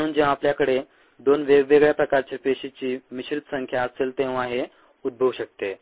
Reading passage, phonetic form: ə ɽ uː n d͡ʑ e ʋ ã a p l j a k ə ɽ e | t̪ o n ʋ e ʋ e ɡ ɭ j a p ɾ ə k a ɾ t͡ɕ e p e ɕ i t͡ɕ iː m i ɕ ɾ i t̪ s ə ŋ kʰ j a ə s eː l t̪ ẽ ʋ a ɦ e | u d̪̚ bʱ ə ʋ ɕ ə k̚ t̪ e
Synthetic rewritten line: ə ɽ uː n d͡ʑ e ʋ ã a p l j a k ə ɽ e | d̪ o n ʋ e ʋ e ɡ ɭ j a p ɾ ə k a ɾ t͡ɕ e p e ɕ i t͡ɕ iː m i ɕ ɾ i t̪ s ə ŋ kʰ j a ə s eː l t̪ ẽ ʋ a ɦ e | u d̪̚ bʱ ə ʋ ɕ ə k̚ t̪ e